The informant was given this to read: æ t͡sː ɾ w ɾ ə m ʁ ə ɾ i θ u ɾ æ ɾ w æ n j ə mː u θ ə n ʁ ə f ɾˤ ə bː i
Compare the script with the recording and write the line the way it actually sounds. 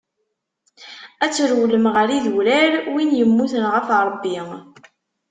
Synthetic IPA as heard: æ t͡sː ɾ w l ə m ʁ ə ɾ i ð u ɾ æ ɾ w i n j ə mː u θ ə n ʁ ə f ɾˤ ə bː i

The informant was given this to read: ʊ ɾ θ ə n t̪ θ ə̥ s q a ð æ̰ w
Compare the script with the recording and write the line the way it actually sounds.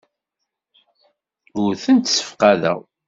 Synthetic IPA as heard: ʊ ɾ θ ə n t̪ s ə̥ f q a ð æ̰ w

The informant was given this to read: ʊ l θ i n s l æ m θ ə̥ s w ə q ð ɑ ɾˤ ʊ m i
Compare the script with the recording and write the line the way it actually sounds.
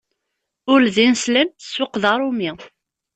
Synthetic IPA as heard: ʊ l ð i n s l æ m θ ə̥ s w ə q ð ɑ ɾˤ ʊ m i

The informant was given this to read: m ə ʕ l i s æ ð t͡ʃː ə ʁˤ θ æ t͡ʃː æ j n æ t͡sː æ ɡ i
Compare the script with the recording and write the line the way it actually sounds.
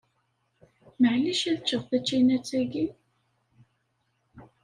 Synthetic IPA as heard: m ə ʕ l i ʃ æ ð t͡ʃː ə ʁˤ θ æ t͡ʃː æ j n æ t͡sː æ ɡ i

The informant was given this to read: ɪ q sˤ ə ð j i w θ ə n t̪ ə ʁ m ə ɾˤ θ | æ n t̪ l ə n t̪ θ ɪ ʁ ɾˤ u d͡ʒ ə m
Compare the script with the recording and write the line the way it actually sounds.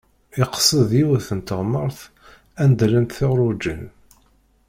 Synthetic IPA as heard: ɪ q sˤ ə ð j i w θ ə n t̪ ə ʁ m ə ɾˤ θ | æ n d̪ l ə n t̪ θ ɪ ʁ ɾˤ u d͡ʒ ə n

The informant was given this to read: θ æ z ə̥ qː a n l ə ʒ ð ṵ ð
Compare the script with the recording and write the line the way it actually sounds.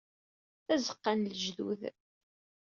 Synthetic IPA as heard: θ æ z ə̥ qː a n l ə ʒ ð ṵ ð

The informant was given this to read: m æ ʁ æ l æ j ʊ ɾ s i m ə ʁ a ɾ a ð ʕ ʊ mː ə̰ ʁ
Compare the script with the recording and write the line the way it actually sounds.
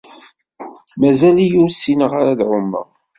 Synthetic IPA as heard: m æ z æ l i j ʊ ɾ s i n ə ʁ a ɾ a ð ʕ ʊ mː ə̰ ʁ

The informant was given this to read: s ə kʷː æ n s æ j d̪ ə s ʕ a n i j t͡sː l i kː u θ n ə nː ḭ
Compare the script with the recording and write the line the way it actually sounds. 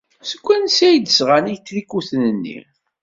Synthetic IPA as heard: s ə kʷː æ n s æ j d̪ ə s ʁ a n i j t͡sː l i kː u θ n ə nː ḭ

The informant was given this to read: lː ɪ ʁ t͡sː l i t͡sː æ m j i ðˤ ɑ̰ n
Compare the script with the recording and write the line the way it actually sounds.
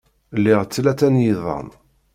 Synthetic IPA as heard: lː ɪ ʁ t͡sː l æ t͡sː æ n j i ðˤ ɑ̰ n

